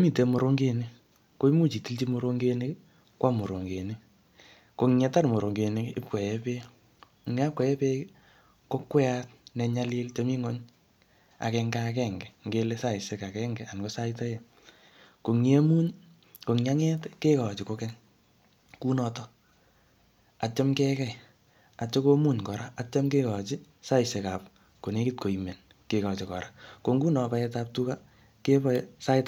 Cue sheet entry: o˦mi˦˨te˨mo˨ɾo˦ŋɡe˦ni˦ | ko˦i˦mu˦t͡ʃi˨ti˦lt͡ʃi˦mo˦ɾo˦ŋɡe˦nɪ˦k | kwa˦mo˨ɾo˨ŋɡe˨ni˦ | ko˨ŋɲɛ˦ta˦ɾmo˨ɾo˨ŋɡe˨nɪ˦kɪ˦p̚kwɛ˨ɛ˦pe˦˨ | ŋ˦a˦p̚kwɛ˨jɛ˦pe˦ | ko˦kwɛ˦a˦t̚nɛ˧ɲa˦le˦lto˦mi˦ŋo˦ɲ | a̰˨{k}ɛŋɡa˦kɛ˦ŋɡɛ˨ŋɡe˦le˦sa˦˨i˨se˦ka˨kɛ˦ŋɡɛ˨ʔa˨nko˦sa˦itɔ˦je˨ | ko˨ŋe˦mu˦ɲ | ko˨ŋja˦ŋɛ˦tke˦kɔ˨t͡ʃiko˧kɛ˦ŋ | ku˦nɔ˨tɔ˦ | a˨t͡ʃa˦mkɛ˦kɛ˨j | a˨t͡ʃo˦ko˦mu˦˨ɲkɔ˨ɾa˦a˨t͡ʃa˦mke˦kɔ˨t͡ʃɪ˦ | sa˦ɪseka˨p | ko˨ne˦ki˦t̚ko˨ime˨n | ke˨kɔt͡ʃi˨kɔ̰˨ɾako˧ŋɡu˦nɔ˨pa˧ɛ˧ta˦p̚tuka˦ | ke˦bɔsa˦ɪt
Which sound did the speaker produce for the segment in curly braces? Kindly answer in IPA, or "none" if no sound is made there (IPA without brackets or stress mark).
k